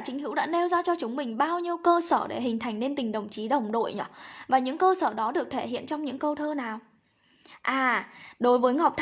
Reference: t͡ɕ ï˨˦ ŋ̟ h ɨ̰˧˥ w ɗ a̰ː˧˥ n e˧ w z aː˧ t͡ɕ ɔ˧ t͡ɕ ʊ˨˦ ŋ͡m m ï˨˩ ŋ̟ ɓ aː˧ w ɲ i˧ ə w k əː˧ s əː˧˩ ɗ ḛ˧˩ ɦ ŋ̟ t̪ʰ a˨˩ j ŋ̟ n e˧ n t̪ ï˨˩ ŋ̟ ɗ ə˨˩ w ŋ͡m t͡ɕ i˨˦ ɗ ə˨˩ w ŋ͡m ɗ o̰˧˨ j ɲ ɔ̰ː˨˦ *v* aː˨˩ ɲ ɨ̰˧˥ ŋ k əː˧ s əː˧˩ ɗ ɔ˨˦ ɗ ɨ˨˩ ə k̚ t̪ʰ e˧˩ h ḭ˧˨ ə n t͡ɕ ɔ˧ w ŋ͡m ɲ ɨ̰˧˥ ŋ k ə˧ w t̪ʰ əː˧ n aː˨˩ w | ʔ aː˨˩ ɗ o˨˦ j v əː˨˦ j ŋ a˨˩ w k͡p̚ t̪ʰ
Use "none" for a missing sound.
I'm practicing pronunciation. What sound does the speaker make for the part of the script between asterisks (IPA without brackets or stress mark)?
v